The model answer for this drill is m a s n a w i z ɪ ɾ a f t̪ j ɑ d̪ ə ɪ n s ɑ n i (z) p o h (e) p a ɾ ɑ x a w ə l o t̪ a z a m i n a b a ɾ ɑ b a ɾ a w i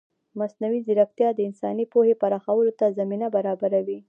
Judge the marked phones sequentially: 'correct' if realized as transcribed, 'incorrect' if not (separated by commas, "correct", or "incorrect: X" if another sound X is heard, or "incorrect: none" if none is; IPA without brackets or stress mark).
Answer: incorrect: none, correct